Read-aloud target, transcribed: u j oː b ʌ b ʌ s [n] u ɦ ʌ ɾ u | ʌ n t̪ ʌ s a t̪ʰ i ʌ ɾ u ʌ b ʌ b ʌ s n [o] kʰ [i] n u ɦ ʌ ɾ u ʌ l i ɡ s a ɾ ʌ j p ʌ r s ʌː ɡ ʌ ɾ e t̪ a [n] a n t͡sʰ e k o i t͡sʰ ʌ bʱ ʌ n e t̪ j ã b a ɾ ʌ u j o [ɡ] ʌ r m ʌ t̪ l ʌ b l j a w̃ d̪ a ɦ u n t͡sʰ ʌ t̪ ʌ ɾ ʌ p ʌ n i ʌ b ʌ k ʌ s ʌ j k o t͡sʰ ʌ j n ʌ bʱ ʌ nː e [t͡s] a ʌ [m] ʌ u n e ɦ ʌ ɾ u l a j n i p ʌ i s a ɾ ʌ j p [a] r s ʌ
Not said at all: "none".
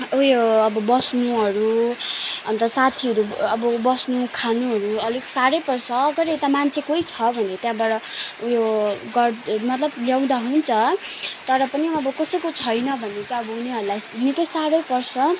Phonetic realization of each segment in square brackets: n, u, a, m, ɡ, t͡s, b, ʌ

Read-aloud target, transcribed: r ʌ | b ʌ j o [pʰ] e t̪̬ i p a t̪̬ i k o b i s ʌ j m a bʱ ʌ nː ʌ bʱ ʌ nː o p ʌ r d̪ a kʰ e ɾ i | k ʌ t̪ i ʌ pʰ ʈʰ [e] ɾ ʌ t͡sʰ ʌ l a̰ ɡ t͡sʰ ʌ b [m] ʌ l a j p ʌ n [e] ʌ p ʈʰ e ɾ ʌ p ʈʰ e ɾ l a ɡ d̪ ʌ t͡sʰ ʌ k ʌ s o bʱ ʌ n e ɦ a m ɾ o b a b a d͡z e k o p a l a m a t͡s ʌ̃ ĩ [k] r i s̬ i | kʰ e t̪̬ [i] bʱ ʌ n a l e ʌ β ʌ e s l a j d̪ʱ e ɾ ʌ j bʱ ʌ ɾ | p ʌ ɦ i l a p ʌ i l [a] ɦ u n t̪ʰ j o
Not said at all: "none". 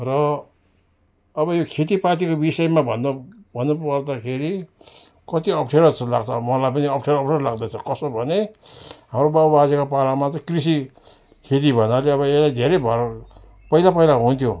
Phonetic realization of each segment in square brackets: kʰ, e, m, i, k, i, a

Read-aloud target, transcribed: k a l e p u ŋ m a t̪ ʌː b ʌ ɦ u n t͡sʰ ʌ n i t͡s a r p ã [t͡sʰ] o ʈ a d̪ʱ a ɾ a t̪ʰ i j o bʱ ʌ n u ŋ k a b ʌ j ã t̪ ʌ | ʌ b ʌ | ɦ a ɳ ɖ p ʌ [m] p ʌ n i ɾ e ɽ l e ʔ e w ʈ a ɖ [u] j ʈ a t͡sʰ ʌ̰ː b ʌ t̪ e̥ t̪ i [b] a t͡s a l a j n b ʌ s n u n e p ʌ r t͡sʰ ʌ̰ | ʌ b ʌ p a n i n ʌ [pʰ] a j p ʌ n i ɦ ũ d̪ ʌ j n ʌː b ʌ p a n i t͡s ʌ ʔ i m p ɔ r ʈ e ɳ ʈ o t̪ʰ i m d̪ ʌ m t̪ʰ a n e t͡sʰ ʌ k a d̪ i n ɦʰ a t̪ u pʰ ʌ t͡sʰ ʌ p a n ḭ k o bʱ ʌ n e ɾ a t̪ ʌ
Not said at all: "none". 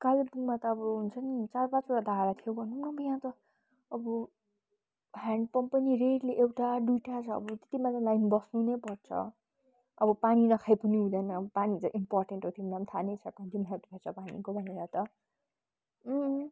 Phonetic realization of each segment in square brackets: t͡s, m, u, m, kʰ

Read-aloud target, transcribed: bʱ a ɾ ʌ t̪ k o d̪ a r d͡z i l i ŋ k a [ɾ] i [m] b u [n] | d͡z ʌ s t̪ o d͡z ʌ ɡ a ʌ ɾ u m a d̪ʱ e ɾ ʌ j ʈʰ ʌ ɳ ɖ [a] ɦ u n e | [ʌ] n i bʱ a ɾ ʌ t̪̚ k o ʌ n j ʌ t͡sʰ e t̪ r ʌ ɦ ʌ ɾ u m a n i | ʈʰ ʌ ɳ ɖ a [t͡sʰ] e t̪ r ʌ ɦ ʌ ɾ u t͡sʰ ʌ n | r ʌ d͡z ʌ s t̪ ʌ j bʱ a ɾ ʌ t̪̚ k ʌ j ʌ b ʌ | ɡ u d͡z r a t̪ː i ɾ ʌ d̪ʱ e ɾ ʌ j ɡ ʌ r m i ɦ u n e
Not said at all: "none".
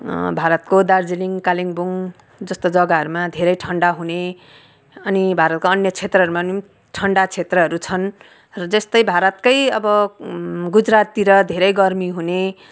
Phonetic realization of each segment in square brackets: l, ŋ, ŋ, a, ʌ, t͡sʰ

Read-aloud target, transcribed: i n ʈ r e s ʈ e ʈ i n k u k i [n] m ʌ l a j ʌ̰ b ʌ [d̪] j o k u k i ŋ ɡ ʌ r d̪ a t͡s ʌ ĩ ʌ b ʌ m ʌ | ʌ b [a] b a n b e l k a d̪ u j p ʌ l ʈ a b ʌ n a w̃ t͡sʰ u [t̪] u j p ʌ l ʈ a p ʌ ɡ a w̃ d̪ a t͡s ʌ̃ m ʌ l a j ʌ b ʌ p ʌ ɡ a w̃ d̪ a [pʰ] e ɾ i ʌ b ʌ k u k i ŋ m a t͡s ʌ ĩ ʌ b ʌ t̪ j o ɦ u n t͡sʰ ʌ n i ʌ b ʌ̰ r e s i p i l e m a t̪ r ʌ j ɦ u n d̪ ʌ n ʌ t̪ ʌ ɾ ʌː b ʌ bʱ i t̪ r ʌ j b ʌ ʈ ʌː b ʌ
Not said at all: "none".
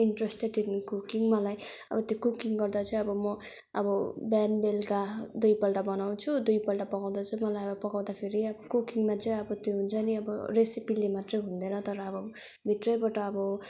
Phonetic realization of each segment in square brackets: ŋ, t̪, ʌ, d̪, pʰ

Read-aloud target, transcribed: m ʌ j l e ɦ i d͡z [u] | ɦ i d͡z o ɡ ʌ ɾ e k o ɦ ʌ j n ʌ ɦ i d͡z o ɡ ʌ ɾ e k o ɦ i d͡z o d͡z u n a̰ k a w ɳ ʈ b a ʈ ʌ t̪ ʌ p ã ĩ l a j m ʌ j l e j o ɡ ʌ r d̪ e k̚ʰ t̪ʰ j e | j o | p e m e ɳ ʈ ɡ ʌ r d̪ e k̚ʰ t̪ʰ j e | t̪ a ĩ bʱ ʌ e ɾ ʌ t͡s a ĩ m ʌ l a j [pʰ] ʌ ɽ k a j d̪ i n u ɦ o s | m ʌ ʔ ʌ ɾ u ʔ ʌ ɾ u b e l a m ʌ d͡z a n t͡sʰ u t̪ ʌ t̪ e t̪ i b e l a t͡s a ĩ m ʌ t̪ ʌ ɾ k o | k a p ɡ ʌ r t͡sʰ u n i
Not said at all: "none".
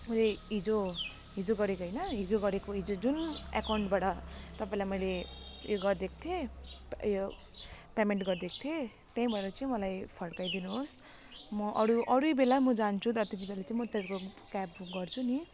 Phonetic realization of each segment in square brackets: o, pʰ

